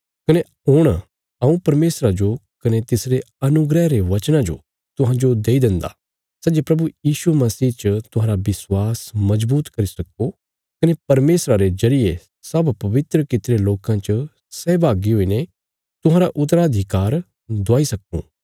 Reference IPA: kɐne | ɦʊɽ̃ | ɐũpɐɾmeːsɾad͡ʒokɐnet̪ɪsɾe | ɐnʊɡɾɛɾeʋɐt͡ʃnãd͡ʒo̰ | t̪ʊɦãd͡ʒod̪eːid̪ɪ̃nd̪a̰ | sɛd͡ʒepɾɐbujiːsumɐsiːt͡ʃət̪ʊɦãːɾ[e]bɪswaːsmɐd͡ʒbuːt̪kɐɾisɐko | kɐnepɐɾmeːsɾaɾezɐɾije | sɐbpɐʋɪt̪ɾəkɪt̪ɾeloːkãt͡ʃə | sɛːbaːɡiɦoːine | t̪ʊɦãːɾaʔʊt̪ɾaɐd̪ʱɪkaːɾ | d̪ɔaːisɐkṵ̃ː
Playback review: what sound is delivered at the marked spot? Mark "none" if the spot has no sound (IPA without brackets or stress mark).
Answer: a